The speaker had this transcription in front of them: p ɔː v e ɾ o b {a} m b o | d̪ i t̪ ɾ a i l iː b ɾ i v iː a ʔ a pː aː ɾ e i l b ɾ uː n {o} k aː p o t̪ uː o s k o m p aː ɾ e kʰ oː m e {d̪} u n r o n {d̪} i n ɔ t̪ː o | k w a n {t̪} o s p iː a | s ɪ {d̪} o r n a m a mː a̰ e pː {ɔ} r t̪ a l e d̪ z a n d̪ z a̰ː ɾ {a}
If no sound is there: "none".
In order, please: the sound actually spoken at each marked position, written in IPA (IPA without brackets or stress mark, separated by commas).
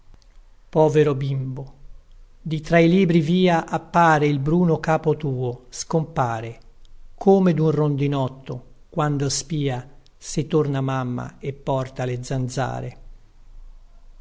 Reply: i, o, d̪, d̪, d̪, t̪, ɔ, e